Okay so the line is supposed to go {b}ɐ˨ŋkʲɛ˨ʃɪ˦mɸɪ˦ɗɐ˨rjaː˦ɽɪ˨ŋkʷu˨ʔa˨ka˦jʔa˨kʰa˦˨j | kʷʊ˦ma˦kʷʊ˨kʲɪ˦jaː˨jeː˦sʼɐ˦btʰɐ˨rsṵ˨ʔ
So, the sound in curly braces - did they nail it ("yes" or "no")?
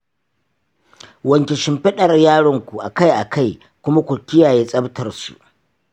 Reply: no